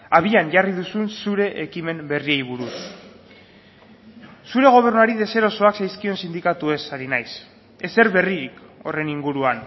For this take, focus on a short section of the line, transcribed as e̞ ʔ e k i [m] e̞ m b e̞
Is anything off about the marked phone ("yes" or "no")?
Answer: no